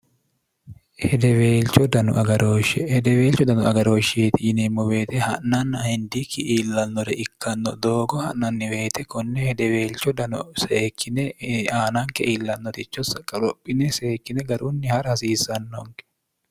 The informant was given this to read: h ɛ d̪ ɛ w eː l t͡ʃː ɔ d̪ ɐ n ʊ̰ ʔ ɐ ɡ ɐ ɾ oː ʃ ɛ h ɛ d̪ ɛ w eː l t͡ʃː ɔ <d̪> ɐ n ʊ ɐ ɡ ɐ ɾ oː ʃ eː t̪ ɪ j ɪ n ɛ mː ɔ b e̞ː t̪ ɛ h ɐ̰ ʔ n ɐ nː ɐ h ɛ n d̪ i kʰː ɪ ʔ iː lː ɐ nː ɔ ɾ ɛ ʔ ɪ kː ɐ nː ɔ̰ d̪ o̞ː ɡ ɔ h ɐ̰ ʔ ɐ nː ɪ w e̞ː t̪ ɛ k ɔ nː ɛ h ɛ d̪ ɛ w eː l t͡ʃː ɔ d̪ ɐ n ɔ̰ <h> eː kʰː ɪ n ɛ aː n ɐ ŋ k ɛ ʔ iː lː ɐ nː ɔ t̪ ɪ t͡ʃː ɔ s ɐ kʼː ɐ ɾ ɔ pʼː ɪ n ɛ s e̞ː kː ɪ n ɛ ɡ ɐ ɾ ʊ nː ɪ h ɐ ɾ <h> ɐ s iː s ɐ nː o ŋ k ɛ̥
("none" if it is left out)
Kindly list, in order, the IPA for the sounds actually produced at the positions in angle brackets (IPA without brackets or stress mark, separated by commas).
d̪, s, h